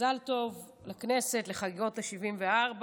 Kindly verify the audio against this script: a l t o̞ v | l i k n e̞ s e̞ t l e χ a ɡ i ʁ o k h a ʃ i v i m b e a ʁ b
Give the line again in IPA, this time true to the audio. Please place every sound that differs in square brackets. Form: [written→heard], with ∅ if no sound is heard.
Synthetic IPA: a l t o̞ v | l [i→a] k n e̞ s e̞ t l e χ a ɡ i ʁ o [k→t] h a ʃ i v i m [b→v] e a ʁ b